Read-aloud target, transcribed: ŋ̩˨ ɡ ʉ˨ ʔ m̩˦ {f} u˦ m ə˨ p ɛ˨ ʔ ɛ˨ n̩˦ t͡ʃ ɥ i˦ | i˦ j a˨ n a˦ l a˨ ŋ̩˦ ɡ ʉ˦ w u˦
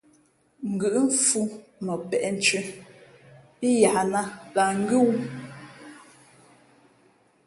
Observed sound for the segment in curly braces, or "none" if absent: f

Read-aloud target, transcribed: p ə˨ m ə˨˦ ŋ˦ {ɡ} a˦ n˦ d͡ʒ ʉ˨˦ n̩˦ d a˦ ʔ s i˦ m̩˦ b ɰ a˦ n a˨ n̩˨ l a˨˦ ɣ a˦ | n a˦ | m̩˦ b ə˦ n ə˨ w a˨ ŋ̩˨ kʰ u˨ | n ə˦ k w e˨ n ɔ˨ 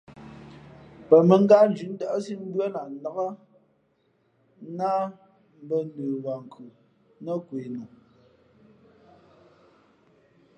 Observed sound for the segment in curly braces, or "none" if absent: ɡ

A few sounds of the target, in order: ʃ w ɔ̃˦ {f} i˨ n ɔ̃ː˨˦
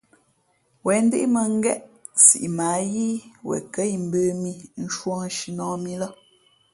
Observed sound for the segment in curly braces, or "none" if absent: ʃ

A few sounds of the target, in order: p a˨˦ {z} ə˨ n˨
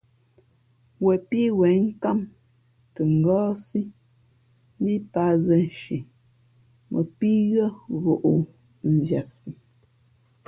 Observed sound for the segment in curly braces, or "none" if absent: z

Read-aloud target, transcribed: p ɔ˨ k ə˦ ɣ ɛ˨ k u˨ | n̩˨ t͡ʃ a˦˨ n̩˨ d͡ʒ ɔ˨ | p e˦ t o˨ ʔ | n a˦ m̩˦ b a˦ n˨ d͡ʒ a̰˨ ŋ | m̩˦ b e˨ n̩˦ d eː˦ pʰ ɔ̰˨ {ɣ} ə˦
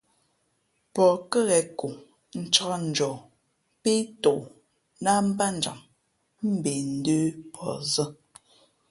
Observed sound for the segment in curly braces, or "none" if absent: z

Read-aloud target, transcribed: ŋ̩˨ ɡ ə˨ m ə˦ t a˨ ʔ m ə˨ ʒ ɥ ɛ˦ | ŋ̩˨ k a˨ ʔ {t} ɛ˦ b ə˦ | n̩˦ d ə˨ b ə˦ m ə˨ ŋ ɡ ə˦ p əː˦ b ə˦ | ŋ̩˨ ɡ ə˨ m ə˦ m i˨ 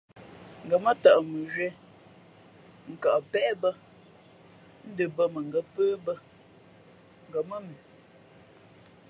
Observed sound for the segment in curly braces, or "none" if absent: p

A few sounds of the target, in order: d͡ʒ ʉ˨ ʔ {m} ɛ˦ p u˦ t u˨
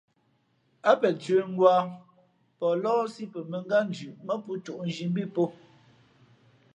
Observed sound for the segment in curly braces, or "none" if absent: m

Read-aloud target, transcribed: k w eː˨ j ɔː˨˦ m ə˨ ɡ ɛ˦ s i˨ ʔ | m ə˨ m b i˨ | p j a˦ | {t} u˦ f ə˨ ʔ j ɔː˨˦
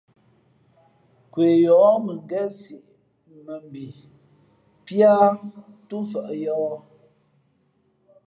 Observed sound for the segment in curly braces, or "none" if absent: t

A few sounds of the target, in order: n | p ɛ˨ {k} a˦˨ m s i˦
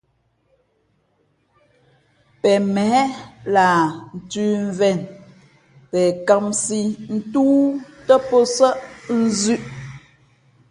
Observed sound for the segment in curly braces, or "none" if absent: k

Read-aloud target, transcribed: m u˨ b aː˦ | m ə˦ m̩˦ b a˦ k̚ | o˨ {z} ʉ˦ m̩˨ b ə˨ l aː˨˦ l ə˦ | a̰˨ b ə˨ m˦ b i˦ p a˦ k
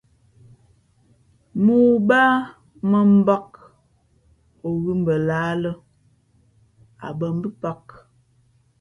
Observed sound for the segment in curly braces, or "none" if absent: ɣ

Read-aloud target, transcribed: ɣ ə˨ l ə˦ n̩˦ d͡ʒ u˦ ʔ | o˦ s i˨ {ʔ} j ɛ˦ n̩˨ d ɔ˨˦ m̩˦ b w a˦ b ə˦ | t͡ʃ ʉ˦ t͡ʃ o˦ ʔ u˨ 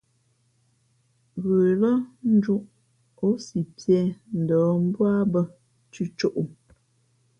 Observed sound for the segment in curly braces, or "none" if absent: p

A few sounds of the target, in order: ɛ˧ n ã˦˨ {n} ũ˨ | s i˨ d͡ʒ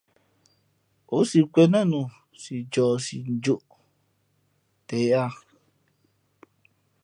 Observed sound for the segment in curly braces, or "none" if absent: n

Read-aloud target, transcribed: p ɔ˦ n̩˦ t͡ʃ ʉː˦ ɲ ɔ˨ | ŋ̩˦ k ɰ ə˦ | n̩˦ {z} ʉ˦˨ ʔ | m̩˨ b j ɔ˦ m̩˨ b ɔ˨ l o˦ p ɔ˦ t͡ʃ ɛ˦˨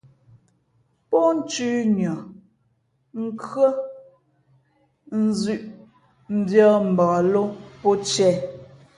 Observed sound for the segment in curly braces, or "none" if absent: z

